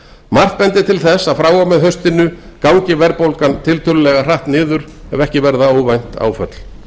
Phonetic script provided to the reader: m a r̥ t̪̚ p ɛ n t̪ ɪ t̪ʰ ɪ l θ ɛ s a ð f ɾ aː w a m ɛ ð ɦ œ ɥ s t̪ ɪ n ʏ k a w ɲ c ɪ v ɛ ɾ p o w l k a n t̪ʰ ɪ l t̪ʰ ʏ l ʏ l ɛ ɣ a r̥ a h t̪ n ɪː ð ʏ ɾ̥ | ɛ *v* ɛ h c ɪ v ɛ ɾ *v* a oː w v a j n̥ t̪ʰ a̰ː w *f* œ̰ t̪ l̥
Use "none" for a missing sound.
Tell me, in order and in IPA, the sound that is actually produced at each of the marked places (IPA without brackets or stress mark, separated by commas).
v, ð, f